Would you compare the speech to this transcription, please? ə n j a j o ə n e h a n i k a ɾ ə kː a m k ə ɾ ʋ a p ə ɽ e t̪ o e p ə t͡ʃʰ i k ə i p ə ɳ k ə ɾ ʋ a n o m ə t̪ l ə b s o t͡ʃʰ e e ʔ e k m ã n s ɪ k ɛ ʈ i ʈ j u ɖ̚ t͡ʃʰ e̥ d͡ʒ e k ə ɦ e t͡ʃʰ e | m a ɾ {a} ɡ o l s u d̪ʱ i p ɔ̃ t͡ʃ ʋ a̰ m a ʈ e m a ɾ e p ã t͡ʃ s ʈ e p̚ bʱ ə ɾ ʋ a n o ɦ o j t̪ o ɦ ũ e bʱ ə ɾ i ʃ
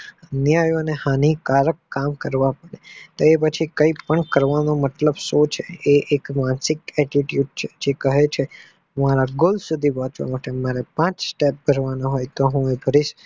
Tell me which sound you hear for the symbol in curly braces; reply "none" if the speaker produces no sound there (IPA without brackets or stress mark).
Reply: a